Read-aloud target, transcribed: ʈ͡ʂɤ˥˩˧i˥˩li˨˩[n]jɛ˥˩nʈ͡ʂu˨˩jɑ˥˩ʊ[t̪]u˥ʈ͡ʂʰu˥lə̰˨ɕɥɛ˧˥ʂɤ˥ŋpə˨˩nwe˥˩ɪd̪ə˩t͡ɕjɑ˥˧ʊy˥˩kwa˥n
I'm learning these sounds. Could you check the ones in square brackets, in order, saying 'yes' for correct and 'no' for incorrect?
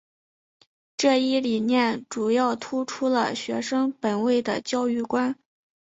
yes, no

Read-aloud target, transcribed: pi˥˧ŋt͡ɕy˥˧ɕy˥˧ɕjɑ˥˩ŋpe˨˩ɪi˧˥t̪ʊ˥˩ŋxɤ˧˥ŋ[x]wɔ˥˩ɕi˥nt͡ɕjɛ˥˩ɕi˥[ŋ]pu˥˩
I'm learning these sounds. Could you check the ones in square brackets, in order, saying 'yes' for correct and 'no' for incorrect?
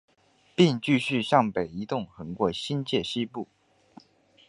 no, no

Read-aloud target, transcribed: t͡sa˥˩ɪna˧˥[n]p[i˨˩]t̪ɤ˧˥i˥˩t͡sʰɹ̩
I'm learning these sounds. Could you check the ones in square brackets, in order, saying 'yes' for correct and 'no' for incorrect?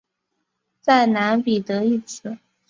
yes, yes

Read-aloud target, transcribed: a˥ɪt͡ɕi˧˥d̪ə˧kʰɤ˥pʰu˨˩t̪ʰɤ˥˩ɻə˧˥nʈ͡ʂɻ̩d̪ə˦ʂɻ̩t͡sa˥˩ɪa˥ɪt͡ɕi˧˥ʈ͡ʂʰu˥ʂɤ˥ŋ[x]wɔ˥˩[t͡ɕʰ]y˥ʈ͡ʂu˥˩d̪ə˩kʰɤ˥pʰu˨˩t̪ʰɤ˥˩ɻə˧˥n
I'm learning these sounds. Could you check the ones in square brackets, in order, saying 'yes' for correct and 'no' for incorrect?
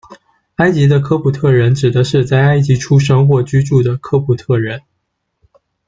yes, no

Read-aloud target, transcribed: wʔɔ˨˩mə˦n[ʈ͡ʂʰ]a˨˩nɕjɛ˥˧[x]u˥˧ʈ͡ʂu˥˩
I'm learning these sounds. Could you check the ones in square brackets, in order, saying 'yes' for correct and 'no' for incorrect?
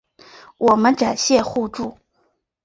no, yes

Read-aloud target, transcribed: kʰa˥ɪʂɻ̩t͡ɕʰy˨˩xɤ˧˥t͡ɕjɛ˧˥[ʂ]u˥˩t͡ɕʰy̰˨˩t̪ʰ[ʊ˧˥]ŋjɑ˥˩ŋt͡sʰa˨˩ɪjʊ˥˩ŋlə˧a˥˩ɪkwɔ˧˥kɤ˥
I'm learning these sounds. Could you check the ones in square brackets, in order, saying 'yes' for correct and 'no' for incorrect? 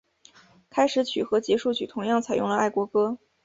yes, yes

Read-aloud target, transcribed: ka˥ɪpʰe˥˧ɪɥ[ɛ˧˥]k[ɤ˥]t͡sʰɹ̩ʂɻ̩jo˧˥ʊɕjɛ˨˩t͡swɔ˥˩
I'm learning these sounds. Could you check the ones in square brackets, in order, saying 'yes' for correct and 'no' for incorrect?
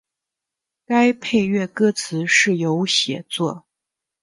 no, yes

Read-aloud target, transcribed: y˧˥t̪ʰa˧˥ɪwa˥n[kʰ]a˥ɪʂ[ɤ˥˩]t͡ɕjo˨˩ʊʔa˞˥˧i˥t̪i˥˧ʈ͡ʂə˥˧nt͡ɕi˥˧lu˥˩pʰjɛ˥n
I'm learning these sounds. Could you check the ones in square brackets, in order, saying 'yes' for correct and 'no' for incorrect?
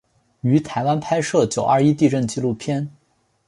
no, yes

